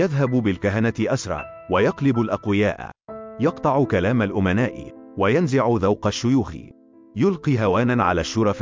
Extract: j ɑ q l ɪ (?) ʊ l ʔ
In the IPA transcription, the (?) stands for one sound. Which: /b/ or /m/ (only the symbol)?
b